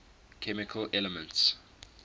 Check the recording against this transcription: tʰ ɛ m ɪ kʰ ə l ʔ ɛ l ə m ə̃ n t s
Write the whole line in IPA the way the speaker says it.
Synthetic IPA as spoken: kʰ ɛ m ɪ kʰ ə l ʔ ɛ l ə m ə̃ n t s